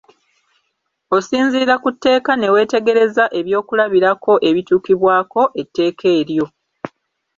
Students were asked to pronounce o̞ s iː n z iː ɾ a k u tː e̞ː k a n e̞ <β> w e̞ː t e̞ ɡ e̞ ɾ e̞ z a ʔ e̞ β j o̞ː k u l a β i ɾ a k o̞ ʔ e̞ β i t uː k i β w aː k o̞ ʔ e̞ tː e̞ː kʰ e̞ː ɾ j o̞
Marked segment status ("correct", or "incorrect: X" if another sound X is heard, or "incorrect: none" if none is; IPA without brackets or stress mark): incorrect: none